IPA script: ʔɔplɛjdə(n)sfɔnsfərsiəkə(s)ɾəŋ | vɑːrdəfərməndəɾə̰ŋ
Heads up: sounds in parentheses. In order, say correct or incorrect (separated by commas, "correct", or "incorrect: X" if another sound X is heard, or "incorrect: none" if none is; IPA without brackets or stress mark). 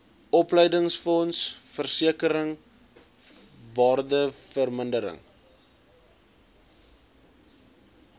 incorrect: ŋ, incorrect: none